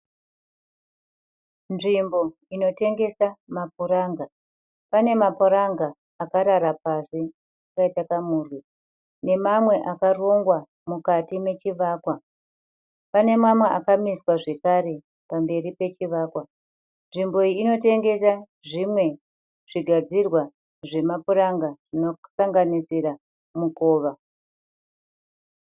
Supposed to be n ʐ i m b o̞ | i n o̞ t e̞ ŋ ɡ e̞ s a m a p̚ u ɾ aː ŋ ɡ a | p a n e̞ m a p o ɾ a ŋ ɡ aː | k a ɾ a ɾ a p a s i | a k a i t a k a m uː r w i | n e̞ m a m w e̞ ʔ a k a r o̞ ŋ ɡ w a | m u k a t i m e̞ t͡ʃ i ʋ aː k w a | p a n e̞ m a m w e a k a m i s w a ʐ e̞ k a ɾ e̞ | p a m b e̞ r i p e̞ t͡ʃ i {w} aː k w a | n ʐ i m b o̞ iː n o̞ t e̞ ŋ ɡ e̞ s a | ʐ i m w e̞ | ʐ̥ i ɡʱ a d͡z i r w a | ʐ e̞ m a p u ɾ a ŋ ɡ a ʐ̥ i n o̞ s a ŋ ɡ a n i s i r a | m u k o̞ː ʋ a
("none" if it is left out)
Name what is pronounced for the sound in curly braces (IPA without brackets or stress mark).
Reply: ʋ